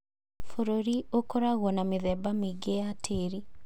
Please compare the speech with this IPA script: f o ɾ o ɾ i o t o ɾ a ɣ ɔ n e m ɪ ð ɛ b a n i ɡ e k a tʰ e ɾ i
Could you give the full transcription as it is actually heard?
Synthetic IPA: f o ɾ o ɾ i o k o ɾ a ɣ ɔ n a m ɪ ð ɛ b a m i ɡ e a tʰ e ɾ i